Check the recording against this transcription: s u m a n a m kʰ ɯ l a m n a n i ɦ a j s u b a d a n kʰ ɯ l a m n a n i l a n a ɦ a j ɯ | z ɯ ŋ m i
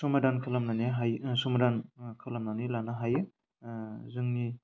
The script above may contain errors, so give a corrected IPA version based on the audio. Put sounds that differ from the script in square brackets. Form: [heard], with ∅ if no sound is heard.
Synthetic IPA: s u m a [d] a [n] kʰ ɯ l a m n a n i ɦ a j s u [m] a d a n kʰ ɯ l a m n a n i l a n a ɦ a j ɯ | z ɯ ŋ [n] i